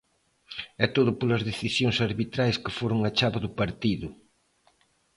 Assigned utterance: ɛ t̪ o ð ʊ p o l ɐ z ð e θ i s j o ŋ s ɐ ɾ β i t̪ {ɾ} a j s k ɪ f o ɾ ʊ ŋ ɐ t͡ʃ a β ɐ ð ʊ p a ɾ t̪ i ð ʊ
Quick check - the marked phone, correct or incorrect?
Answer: correct